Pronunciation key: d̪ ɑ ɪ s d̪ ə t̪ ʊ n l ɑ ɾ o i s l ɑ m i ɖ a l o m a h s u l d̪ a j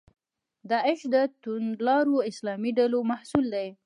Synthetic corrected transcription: d̪ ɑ ɪ ʃ d̪ ə t̪ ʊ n l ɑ ɾ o ɪ s l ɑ m i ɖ a l o m a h s u l d̪ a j